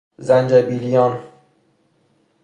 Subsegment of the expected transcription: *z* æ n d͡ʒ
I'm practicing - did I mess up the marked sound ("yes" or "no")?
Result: no